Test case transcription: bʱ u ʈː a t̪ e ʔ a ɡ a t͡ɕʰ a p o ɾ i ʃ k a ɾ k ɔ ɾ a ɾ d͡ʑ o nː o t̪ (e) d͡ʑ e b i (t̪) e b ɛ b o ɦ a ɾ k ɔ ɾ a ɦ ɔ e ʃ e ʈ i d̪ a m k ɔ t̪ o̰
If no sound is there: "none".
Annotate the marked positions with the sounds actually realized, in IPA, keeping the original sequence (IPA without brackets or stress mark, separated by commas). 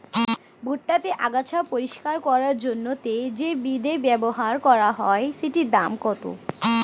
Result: e, d̪